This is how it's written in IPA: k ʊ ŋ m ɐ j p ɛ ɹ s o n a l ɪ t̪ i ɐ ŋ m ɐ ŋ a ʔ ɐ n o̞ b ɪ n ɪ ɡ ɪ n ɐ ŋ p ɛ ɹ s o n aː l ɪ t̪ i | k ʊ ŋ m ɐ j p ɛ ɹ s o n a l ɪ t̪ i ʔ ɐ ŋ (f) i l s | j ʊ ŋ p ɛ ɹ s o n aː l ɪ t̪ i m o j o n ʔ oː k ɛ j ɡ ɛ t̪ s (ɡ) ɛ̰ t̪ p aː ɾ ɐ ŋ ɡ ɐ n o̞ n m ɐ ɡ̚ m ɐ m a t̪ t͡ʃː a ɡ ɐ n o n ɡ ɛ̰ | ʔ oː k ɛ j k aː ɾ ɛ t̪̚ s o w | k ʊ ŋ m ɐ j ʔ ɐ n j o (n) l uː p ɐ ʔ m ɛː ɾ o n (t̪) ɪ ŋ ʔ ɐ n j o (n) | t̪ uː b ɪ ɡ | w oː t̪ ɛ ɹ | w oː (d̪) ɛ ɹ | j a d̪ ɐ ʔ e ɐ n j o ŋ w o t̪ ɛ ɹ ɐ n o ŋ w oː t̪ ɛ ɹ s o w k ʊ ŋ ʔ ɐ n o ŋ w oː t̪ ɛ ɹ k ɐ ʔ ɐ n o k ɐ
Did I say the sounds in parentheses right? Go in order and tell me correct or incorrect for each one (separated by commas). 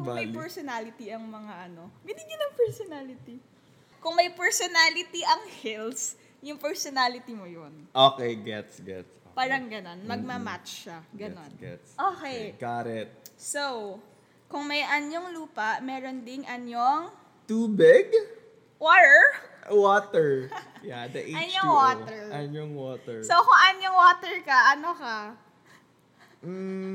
incorrect, correct, incorrect, incorrect, incorrect, incorrect